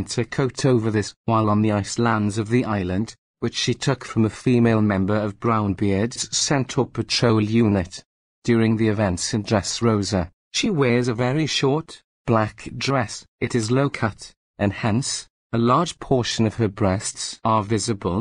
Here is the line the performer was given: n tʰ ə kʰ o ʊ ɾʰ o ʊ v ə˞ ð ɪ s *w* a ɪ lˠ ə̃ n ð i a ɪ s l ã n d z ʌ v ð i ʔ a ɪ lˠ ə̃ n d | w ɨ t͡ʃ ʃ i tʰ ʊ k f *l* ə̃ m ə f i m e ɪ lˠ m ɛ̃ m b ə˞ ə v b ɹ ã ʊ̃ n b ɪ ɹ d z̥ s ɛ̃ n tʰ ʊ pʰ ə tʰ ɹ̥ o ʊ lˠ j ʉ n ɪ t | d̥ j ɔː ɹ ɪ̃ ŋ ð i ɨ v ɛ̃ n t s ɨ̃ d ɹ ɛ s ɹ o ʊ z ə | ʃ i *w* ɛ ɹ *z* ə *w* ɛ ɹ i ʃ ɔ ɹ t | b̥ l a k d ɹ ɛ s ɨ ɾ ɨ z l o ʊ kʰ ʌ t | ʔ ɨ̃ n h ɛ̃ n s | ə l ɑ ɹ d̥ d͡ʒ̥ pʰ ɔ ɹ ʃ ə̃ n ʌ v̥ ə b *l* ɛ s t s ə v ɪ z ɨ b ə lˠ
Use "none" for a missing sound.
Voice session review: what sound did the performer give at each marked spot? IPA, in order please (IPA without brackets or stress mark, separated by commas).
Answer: w, ɹ, w, z, v, ɹ